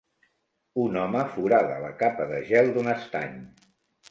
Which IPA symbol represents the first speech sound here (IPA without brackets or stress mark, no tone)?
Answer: u